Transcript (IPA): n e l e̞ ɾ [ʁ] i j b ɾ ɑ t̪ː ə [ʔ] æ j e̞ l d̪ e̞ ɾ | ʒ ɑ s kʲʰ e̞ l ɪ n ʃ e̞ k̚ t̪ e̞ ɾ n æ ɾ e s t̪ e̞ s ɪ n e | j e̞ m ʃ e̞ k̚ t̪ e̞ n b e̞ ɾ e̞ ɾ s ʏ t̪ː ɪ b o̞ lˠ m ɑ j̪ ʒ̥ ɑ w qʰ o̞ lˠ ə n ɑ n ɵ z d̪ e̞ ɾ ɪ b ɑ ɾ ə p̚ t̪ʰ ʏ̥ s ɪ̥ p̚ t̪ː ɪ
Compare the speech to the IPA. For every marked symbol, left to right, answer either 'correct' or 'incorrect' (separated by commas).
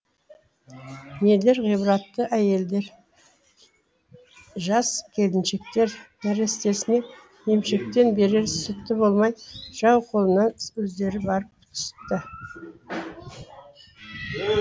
correct, correct